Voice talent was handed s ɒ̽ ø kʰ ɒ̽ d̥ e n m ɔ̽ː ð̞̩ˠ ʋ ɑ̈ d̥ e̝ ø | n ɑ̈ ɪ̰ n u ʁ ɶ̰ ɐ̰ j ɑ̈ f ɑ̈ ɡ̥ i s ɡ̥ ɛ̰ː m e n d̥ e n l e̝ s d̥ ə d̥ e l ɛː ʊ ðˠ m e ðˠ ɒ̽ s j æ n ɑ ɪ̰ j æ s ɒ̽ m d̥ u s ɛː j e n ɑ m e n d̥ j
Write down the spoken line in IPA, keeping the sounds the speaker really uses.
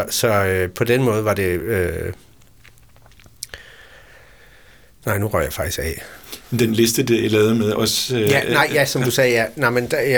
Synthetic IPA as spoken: s ɒ̽ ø pʰ ɒ̽ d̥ e n m ɔ̽ː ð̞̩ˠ ʋ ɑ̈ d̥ e̝ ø | n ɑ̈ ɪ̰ n u ʁ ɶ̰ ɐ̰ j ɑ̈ f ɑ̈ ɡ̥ i s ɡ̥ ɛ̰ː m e n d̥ e n l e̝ s d̥ ə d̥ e l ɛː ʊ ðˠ m e ðˠ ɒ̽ s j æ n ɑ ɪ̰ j æ s ɒ̽ m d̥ u s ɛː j æ n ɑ m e n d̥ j